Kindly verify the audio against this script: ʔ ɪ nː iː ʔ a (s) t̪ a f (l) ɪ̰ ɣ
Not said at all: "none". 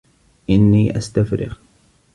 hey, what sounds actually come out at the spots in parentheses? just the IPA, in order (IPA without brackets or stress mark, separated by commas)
s, ɾ